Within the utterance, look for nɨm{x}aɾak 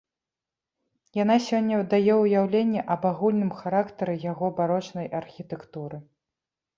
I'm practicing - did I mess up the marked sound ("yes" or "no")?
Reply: no